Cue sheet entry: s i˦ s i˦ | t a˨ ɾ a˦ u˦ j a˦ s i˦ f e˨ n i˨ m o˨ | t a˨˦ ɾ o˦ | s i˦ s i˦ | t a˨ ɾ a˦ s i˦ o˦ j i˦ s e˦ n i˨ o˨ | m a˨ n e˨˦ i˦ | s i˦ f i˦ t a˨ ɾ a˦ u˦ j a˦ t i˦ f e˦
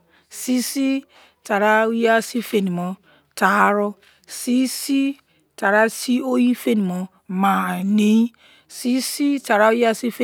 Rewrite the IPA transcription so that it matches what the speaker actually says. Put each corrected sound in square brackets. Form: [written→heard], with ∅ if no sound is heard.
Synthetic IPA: s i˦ s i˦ | t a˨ ɾ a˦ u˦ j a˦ s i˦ f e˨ n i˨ m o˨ | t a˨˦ ɾ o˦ | s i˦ s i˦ | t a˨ ɾ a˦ s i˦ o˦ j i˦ [s→f] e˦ n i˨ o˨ | m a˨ n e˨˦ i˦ | s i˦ [f→s] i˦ t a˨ ɾ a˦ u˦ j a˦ [t→s] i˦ f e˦